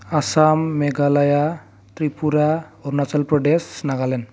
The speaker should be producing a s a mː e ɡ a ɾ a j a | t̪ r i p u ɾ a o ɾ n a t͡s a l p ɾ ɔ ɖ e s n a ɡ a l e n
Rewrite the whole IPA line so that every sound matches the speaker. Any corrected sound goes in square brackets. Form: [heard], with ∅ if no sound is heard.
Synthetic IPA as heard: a s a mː e ɡ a [l] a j a | t̪ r i p u ɾ a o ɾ n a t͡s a l p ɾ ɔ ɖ e s n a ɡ a l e n